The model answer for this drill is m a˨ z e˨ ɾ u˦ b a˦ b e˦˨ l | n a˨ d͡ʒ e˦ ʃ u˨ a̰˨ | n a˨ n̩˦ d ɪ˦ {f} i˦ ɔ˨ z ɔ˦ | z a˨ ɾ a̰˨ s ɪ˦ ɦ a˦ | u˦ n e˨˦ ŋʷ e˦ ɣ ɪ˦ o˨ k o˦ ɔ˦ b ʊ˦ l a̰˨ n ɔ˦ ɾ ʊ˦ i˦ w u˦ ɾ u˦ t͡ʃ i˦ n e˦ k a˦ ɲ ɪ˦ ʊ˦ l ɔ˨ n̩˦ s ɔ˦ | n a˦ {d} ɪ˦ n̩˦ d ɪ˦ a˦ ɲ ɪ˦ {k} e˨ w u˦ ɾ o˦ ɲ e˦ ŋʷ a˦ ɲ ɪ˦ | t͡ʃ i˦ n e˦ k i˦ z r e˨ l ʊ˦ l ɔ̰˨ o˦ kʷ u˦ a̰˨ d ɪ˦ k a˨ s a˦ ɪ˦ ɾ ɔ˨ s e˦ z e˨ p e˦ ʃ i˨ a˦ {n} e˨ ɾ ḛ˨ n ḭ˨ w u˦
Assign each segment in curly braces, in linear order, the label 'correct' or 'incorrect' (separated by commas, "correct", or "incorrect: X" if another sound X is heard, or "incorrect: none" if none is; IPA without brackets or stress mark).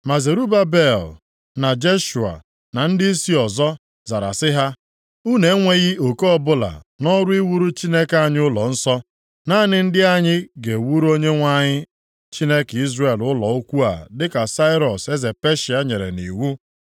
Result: incorrect: s, incorrect: n, incorrect: ɡ, incorrect: ɲ